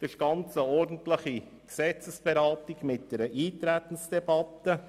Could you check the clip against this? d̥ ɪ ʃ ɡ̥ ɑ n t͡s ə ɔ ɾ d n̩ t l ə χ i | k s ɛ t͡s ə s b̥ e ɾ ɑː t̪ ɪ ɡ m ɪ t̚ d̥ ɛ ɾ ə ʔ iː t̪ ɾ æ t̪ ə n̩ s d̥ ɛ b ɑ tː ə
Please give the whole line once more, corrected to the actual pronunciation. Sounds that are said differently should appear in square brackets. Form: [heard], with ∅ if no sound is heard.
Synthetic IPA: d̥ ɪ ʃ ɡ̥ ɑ n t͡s ə ɔ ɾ d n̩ t l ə χ i | k s ɛ t͡s ə s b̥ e ɾ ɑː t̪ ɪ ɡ m ɪ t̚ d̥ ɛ ɾ ə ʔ iː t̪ ɾ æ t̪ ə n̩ s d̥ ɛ b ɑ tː ə